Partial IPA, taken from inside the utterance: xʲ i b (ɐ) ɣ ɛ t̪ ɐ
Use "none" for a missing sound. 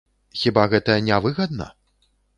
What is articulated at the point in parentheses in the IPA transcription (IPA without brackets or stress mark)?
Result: a